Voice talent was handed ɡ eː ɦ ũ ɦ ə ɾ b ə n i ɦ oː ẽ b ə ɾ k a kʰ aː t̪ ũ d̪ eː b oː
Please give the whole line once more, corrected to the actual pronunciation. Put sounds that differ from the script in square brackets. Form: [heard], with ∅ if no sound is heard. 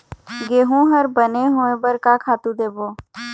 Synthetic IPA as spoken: ɡ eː ɦ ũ ɦ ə ɾ b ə n [e] ɦ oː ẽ b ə ɾ k a kʰ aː t̪ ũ d̪ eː b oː